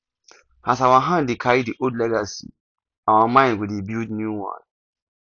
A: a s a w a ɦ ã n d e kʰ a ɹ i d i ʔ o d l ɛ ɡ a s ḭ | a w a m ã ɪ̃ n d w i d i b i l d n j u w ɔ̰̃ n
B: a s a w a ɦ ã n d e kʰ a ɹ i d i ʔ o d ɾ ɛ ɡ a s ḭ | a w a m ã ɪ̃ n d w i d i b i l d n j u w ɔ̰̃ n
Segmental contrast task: A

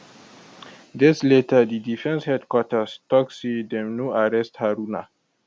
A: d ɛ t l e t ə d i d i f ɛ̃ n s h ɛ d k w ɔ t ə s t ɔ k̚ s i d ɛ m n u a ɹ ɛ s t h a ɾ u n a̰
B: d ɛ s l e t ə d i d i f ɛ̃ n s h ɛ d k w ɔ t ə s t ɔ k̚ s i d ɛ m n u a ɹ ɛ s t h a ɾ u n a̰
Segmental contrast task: B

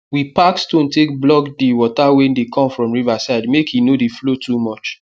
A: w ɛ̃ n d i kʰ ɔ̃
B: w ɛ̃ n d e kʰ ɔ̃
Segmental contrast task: B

